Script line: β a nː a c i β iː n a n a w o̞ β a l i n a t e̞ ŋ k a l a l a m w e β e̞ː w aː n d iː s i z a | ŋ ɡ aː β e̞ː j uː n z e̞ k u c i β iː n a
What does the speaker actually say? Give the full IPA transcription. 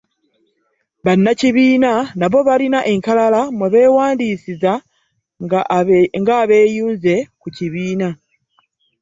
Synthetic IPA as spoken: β a nː a c i β iː n a n a β o̞ β a l i n a ʔ e̞ ŋ k a l a l a m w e β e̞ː w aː n d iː s i z a | ŋ ɡ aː β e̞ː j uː n z e̞ k u c i β iː n a